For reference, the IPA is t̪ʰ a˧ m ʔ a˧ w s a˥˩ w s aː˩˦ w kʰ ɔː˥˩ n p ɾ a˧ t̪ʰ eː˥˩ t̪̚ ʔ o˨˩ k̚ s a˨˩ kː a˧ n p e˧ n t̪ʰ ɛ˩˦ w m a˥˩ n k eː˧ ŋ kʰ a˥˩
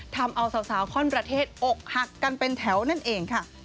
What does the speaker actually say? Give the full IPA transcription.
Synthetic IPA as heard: t̪ʰ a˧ m ʔ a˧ w s a˨˩˦ w s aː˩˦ w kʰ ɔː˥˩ n p ɾ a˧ t̪ʰ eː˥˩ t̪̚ ʔ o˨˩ k̚ h a˨˩ kː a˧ n p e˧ n t̪ʰ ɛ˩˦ w n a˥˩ n ʔ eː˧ ŋ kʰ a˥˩